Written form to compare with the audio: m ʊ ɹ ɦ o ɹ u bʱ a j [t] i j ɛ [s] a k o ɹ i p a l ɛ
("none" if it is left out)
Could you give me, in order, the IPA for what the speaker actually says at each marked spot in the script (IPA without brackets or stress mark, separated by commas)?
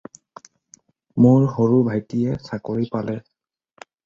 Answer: t, s